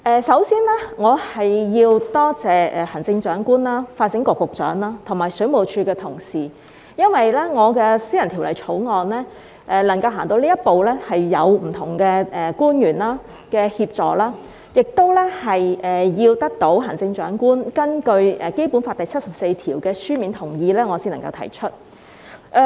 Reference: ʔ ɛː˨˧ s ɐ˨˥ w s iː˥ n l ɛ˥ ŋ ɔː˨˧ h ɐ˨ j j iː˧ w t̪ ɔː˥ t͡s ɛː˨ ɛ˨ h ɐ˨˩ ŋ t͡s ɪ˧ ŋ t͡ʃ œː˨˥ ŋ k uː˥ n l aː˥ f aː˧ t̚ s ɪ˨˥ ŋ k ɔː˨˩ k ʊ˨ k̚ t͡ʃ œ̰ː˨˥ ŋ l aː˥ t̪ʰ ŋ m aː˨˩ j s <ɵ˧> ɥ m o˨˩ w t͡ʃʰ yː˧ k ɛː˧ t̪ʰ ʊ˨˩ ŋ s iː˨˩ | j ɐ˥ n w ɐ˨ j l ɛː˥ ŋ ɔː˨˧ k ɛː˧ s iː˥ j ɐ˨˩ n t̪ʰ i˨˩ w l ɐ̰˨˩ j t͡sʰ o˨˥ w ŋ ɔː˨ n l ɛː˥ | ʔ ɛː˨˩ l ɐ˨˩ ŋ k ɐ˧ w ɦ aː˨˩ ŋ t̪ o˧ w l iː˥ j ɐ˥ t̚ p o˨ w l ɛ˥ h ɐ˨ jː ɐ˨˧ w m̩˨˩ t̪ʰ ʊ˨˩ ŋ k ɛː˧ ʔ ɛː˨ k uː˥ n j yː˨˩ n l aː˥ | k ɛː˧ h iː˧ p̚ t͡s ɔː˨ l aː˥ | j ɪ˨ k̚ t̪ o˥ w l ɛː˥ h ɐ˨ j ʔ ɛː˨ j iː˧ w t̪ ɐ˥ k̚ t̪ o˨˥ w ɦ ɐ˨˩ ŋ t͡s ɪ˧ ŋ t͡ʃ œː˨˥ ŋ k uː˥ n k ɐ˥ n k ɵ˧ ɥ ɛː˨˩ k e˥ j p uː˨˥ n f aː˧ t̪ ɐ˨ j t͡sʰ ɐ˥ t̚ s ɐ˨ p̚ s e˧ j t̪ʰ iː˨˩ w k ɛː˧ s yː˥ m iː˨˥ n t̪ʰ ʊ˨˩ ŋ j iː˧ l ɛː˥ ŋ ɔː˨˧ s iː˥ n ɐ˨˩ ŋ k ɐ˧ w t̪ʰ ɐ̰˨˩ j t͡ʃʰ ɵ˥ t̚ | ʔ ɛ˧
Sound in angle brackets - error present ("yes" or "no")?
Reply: yes